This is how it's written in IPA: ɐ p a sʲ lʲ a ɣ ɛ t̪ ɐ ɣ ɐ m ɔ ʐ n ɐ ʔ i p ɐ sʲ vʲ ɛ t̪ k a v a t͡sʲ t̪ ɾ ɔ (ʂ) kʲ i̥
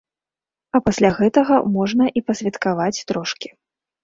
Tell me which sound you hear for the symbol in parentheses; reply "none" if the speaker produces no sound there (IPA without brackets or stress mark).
ʂ